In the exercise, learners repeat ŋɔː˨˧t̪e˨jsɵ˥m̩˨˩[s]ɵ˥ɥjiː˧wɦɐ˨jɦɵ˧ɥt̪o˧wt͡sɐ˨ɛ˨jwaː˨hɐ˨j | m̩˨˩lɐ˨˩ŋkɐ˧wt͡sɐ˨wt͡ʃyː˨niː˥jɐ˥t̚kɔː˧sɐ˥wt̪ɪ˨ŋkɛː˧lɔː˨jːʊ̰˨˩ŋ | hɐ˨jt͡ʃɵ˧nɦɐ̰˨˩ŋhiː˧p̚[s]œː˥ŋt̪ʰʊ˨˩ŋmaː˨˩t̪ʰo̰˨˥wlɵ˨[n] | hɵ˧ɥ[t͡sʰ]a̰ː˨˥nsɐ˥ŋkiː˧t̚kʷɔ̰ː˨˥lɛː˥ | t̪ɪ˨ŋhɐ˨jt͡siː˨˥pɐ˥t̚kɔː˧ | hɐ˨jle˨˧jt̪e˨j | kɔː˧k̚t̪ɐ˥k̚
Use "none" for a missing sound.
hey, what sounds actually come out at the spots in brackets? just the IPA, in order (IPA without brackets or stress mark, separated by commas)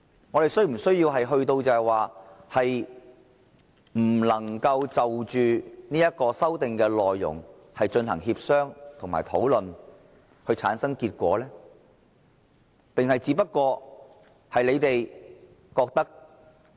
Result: s, s, n, t͡sʰ